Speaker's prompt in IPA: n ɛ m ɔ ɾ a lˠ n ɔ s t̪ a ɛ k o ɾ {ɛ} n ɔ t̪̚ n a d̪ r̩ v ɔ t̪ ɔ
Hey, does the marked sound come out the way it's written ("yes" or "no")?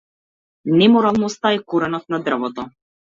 yes